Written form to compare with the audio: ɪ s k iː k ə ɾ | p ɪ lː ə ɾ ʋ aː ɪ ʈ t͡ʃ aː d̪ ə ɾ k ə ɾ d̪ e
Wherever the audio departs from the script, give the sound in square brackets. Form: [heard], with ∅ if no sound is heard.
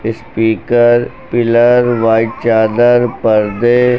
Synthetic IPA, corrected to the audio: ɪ s [p] iː k ə ɾ | p ɪ [l] ə ɾ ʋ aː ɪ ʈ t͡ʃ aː d̪ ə ɾ [p] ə ɾ d̪ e